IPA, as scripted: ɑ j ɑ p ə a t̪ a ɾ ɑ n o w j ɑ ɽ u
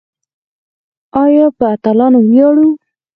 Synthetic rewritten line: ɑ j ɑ p ə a t̪ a l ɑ n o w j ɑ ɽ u